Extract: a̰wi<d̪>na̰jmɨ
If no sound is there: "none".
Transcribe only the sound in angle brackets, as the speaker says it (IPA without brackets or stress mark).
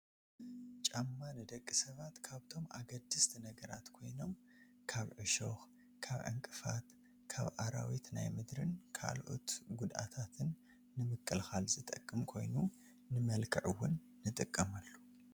t̪